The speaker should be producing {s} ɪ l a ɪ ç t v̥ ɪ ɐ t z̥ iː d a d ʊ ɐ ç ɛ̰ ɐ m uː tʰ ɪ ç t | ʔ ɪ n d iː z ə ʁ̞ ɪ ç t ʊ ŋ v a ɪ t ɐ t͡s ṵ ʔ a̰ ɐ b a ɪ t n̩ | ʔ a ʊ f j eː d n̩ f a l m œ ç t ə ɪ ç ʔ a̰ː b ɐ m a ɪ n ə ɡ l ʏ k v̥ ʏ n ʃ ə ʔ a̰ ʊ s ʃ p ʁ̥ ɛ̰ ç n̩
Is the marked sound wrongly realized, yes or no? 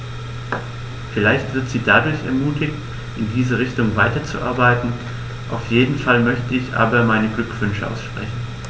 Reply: yes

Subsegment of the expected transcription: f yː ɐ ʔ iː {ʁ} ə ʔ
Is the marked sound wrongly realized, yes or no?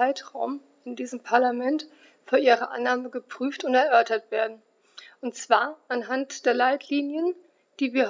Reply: no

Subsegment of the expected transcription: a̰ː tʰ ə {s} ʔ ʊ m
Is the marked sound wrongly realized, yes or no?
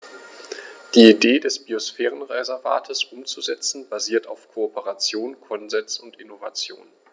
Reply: no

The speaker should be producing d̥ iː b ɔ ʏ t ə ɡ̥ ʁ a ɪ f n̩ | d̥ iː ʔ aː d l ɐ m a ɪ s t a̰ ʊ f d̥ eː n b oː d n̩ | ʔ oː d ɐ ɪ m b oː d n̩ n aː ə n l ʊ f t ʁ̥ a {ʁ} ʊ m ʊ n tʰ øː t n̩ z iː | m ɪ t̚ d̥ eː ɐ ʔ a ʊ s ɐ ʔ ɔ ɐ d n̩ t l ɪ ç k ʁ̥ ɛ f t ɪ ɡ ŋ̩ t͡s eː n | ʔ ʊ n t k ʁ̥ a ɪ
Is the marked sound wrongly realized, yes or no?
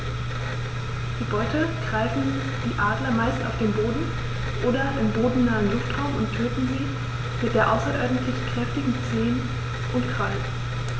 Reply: yes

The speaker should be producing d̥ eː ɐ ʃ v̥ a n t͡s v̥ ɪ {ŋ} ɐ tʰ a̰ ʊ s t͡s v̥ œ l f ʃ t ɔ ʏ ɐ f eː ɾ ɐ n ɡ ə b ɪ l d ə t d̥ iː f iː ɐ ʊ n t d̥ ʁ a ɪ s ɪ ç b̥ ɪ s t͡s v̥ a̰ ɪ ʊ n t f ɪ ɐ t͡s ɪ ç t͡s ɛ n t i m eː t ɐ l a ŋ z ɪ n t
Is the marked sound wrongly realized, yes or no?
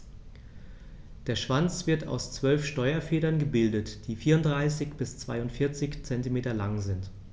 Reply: yes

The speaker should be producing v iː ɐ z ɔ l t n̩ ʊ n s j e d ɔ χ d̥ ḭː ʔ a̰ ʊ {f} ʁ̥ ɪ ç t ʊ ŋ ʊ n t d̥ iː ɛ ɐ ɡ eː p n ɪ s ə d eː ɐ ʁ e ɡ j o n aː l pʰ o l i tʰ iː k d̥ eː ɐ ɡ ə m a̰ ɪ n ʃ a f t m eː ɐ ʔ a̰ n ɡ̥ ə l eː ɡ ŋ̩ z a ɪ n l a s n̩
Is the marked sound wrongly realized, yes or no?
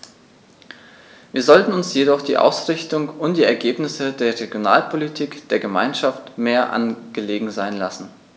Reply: yes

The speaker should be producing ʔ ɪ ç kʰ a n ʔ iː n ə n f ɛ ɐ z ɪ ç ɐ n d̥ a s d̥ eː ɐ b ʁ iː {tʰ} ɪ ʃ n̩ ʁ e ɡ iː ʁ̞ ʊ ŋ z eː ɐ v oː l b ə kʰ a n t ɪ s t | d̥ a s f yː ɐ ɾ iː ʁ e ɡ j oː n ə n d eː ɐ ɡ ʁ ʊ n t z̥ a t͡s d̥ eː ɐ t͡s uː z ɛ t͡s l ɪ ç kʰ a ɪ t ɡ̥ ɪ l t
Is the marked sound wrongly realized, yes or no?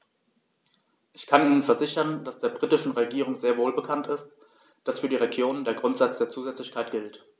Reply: yes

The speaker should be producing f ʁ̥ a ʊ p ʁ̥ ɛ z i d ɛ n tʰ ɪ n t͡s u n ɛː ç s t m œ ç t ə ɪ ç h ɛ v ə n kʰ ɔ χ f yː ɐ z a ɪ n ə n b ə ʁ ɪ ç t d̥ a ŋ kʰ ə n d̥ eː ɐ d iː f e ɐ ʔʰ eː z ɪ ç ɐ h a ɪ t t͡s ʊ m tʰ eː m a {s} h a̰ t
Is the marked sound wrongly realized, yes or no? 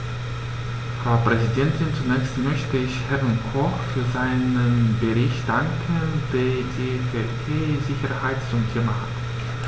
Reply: yes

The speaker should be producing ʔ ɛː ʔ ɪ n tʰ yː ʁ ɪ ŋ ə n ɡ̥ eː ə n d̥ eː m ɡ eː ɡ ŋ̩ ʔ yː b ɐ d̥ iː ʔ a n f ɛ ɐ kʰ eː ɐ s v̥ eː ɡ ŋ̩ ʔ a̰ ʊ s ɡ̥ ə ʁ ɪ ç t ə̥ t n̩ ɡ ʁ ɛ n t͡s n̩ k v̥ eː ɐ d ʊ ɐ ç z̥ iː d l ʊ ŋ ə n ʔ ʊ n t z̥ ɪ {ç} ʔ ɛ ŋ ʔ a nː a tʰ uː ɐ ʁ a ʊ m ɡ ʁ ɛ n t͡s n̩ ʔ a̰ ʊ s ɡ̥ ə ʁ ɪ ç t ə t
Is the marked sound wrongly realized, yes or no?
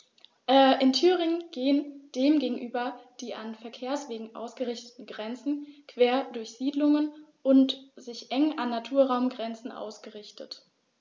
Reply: no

